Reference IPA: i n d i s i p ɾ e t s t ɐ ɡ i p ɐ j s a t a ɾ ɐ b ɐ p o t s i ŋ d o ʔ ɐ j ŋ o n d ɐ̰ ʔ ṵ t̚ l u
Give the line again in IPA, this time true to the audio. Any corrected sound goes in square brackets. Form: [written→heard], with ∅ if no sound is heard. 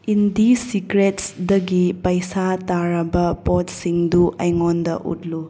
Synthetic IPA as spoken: i n d i s i [p→k] ɾ e t s [t→d] ɐ ɡ i p ɐ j s a t a ɾ ɐ b ɐ p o t s i ŋ d [o→u] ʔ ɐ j ŋ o n d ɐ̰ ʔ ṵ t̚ l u